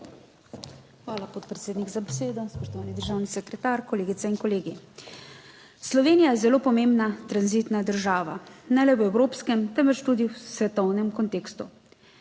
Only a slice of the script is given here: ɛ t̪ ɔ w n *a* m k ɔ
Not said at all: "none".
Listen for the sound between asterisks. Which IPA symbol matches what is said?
ɛ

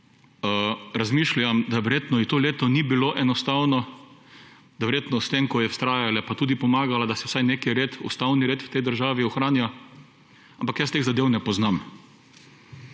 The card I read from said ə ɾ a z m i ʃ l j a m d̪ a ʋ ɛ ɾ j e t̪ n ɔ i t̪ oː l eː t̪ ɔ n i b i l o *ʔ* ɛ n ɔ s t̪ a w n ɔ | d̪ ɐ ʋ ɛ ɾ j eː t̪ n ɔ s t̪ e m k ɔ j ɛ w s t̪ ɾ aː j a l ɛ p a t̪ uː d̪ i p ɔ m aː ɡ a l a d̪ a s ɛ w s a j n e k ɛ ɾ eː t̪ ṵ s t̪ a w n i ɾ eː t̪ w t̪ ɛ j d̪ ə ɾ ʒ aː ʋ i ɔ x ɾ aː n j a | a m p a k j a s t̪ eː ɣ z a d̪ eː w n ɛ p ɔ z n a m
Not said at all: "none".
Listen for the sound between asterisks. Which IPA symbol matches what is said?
ʔ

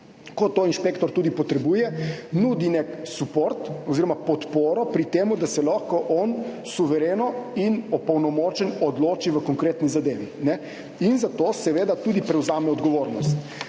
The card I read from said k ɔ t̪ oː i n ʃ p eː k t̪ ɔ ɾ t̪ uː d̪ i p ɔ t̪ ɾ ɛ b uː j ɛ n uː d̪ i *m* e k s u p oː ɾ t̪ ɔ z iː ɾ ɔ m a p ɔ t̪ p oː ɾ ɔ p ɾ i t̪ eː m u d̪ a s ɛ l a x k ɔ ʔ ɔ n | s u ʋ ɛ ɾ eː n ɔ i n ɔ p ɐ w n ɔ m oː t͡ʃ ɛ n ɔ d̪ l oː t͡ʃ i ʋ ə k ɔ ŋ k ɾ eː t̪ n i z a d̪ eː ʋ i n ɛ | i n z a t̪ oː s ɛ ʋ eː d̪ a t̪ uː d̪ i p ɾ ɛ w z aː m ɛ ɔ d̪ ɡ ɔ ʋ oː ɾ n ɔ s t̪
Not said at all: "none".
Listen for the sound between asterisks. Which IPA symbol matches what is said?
n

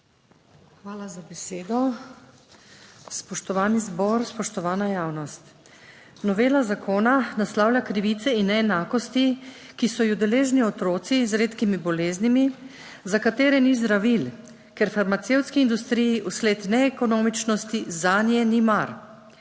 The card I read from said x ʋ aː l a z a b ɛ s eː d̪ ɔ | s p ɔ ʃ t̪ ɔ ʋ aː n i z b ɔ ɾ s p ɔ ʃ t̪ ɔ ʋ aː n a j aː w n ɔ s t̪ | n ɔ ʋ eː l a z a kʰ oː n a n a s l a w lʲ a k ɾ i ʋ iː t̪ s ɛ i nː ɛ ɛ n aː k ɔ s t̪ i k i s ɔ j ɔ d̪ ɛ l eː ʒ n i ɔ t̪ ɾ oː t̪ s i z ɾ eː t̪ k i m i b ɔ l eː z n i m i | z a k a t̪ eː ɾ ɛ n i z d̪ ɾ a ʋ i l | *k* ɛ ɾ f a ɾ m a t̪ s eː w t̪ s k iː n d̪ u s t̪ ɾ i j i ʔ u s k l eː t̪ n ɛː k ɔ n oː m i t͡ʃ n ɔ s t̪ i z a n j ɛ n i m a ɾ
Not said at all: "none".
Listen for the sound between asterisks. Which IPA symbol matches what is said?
k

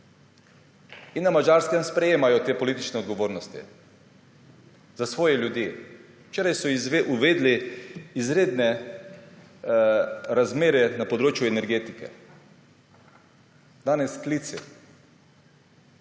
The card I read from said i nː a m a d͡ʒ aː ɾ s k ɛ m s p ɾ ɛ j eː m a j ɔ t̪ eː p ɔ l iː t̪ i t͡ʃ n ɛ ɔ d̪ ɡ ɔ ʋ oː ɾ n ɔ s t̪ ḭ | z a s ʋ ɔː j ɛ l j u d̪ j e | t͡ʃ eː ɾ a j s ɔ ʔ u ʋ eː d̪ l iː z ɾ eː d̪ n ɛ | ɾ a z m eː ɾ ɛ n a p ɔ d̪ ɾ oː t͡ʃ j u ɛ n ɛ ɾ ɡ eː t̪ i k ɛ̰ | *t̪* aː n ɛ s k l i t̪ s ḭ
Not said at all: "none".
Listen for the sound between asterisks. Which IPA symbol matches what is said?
d̪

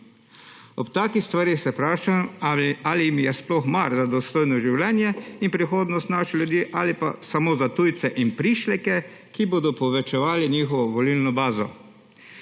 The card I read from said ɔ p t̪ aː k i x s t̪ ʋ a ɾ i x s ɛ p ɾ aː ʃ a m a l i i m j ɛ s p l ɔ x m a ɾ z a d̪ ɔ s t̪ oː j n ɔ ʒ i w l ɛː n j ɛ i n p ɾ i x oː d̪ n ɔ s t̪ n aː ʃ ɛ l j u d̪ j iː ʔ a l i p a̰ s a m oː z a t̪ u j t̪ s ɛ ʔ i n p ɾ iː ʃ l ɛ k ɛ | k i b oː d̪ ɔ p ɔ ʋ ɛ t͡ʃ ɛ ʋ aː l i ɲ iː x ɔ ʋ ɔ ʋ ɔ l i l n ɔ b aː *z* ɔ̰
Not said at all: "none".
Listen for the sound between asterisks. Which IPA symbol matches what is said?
z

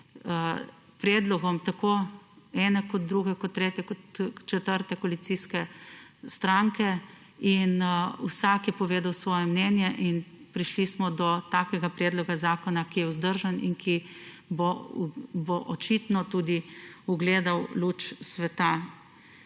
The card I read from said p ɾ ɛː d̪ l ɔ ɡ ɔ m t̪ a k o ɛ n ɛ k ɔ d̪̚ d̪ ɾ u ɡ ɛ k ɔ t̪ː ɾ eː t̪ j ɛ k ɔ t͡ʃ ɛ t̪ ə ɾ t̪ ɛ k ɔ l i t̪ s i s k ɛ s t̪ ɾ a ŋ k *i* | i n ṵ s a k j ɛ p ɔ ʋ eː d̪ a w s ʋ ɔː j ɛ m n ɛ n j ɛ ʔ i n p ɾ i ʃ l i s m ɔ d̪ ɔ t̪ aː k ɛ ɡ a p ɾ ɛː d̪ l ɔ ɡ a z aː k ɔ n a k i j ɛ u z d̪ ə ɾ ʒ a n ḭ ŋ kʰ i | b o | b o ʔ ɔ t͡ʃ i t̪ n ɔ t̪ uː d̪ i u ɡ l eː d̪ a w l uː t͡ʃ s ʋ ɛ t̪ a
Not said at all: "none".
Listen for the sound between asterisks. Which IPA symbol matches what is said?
ɛ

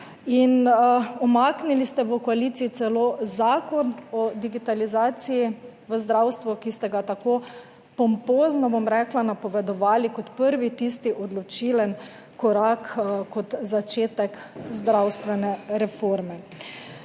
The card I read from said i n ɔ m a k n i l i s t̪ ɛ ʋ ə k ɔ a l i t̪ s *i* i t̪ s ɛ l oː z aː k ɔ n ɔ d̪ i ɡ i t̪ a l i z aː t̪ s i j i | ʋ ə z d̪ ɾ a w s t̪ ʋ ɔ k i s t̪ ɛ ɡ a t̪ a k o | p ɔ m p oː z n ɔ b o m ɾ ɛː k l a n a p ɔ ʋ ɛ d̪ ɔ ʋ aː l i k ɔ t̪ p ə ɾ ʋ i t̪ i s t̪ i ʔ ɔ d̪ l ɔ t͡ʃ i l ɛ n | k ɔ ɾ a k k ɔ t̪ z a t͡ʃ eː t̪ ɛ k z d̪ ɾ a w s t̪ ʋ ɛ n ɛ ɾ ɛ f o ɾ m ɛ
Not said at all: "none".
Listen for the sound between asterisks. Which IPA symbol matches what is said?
i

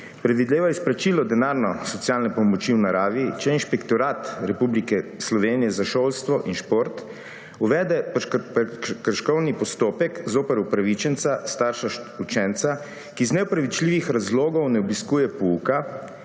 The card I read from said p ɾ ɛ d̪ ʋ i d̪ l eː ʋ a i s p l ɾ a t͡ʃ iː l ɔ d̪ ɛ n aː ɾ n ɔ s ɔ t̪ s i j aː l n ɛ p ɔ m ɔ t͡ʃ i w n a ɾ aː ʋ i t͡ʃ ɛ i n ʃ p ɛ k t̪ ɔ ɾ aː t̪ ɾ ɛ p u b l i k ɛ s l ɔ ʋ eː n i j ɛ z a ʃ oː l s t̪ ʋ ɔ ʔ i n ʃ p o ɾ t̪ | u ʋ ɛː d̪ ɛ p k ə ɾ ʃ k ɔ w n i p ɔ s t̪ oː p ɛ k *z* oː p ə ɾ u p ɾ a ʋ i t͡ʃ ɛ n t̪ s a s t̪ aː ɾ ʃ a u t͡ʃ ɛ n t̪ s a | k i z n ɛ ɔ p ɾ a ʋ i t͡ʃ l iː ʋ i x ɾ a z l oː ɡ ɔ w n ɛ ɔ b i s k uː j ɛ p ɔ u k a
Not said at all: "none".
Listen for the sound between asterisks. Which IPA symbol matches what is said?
z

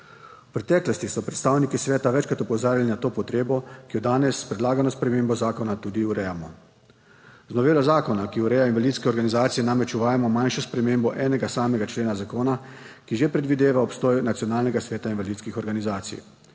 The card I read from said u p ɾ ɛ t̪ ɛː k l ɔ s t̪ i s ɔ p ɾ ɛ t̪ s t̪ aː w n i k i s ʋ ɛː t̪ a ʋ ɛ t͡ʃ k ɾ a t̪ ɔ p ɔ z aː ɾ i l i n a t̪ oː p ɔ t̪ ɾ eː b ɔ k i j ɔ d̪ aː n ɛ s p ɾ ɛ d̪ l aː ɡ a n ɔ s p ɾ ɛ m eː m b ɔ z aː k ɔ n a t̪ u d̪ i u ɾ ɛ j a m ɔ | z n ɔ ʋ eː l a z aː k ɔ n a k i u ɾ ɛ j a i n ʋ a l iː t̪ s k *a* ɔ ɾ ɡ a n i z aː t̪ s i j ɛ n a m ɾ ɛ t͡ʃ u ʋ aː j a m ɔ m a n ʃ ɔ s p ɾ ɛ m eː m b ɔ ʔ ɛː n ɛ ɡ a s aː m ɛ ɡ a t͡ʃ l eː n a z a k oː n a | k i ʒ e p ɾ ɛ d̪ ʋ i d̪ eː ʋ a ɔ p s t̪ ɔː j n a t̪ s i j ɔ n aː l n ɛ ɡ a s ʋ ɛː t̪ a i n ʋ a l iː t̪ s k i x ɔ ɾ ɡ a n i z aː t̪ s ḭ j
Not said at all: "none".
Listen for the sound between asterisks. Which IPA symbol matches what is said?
ɛ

